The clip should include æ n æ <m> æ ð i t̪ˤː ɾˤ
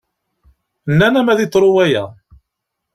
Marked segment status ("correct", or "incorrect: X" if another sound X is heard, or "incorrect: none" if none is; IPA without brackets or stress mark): correct